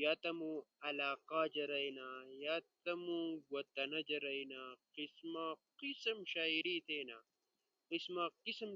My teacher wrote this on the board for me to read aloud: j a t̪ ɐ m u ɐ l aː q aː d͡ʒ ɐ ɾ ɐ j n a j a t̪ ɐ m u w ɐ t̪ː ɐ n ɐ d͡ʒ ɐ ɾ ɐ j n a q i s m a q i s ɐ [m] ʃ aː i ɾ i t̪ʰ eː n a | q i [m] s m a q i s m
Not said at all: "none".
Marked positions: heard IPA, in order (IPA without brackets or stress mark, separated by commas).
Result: m, none